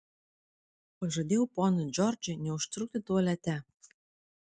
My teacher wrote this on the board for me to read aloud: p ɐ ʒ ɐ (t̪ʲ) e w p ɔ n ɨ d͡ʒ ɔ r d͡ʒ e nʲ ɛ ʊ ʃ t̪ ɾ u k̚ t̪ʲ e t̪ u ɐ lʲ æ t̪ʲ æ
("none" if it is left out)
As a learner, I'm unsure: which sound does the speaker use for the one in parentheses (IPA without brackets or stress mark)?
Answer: d̪ʲ